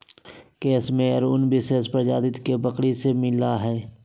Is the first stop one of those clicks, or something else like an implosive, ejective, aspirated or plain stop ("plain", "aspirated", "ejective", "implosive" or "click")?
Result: plain